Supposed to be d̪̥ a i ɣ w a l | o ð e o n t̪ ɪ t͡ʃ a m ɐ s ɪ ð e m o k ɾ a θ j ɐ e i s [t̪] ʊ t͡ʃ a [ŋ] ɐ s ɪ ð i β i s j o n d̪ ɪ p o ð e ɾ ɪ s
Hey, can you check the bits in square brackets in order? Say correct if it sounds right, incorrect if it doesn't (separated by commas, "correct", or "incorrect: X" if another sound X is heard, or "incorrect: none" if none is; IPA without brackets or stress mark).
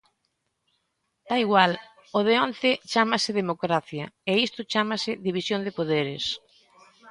correct, incorrect: m